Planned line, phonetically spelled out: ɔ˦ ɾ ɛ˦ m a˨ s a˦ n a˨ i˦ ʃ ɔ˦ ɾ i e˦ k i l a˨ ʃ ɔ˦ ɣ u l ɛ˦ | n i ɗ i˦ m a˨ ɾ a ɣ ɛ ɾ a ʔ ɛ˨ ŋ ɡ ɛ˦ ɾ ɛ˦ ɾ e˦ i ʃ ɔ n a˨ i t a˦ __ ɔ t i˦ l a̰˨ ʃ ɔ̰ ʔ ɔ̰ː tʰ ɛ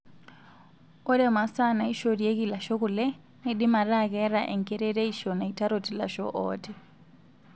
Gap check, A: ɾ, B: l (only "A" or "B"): A